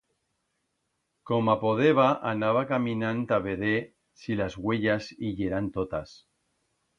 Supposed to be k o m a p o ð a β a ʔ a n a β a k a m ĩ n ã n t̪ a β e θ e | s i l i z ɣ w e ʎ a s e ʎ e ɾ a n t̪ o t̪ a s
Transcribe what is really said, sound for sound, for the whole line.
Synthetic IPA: k o m a p o ð e β a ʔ a n a β a k a m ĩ n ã n t̪ a β e ð e | s i l a z ɣ w e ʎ a s i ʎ e ɾ a n t̪ o t̪ a s